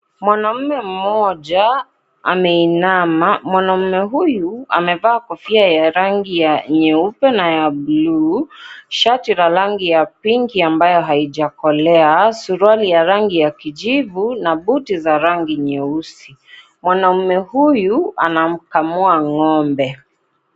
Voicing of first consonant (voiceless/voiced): voiced